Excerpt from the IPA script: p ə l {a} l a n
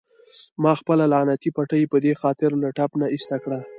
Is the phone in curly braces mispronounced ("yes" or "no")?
no